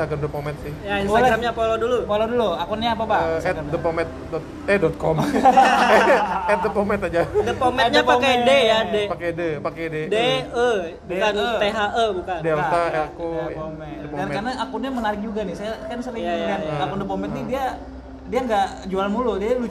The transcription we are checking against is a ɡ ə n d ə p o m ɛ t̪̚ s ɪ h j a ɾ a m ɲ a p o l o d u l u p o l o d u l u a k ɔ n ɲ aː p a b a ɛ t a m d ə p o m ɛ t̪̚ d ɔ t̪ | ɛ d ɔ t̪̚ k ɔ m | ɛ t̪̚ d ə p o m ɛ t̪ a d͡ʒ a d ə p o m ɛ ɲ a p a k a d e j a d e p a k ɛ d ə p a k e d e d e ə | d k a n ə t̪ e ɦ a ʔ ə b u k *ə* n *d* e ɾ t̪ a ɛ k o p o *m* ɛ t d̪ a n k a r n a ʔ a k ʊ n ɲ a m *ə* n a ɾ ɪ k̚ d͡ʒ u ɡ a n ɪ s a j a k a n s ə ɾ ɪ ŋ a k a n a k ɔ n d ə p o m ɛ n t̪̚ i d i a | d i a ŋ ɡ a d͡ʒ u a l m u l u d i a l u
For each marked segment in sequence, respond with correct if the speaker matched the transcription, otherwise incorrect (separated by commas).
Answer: incorrect, correct, correct, correct